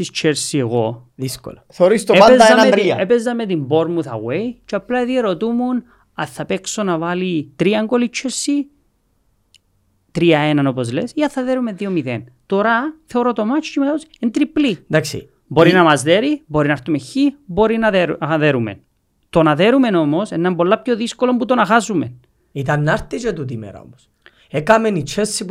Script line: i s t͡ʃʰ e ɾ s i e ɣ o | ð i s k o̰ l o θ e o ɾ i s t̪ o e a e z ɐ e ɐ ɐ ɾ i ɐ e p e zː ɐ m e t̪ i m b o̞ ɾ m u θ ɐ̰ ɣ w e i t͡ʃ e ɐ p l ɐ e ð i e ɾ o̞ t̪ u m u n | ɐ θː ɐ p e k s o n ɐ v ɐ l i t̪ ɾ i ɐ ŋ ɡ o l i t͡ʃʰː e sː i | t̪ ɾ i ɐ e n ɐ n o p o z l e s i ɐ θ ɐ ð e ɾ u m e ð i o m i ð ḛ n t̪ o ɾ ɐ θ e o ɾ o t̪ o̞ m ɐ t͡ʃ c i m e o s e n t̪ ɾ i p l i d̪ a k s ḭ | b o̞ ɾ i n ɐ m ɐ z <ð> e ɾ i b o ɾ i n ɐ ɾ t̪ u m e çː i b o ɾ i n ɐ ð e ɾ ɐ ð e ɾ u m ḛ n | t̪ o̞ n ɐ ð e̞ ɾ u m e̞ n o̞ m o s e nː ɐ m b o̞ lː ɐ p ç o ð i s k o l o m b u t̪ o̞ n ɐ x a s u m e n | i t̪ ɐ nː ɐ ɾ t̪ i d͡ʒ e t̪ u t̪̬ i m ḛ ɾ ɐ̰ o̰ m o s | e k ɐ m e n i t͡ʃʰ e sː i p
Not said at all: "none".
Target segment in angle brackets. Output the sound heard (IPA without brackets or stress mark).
ð